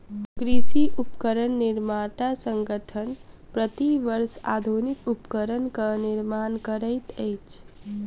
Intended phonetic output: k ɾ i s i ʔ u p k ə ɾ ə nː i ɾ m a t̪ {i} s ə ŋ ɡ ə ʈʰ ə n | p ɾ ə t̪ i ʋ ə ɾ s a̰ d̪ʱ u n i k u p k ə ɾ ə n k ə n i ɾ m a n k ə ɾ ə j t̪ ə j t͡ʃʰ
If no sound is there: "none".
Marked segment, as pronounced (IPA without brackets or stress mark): a